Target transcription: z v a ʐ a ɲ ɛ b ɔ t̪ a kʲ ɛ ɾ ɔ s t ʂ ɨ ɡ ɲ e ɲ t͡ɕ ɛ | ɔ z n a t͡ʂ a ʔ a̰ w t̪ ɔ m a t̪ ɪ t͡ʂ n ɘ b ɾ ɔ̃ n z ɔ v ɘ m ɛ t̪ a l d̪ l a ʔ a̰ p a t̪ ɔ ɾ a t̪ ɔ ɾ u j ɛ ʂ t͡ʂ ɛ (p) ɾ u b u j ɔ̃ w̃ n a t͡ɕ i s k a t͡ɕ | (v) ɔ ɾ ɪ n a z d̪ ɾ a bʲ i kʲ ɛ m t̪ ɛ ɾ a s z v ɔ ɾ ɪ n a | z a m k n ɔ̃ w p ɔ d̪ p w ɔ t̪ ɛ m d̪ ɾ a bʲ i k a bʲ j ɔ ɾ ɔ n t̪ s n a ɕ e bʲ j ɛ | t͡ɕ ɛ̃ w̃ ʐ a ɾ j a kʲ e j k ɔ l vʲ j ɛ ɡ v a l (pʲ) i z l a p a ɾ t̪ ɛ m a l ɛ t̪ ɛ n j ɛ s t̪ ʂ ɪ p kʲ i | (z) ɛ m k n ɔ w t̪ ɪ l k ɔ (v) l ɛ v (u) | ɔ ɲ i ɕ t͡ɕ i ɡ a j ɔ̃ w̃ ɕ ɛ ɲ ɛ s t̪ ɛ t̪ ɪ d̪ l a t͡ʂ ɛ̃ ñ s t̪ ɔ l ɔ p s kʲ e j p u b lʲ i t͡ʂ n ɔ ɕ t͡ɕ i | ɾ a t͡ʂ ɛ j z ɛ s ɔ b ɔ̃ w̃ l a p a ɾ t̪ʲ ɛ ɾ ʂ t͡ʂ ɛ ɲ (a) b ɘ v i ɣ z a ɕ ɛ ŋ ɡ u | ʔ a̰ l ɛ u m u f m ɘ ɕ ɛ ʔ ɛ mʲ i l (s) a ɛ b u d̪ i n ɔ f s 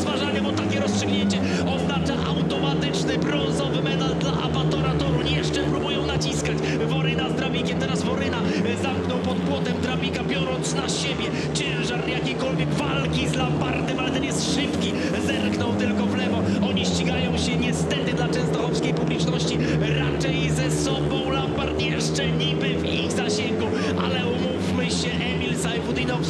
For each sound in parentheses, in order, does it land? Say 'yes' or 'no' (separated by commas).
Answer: yes, yes, no, yes, yes, no, no, yes